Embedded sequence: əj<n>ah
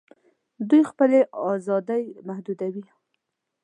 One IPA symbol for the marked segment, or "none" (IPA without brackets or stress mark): m